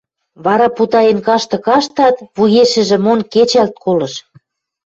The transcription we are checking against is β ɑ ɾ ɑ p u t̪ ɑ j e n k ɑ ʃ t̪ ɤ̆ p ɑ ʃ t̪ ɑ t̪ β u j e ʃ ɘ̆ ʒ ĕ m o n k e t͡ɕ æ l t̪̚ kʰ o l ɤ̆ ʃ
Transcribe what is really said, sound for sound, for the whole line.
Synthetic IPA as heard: β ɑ ɾ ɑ p u t̪ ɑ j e n k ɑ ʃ t̪ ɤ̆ k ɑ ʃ t̪ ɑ t̪ β u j e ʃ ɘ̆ ʒ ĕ m o n k e t͡ɕ æ l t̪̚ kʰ o l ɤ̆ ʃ